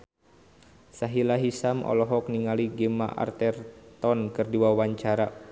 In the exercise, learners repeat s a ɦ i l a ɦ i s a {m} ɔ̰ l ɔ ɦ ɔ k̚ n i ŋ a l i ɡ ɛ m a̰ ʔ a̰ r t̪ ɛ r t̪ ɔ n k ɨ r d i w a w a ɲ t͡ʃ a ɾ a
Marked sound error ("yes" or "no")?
no